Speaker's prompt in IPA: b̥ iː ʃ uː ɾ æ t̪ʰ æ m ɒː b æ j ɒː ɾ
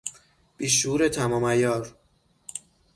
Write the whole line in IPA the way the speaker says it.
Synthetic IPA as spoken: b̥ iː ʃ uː ɾ e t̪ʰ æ m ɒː m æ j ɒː ɾ